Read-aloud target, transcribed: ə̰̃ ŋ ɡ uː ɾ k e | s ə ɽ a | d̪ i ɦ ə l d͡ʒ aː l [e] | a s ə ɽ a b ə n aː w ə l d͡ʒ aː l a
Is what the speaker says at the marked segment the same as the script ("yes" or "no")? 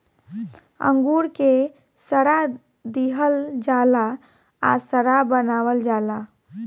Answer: no